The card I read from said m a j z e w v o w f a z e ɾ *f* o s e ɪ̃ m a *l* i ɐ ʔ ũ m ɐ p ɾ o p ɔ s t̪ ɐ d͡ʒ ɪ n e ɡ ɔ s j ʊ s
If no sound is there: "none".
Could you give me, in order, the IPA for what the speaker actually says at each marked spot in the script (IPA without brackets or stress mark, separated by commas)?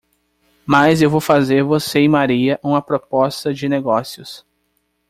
v, ɾ